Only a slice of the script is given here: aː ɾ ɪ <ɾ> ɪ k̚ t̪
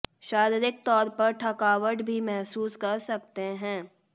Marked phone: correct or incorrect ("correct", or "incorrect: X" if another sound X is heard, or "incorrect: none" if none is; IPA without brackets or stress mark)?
correct